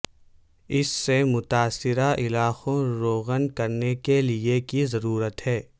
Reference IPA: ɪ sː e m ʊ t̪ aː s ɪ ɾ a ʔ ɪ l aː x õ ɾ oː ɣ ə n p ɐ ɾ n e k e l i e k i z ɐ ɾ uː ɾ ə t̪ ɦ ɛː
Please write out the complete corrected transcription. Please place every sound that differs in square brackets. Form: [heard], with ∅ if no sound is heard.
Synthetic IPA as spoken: ɪ sː e m ʊ t̪ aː s ɪ ɾ a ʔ ɪ l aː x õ ɾ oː ɣ ə n [k] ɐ ɾ n e k e l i e k i z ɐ ɾ uː ɾ ə t̪ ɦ ɛː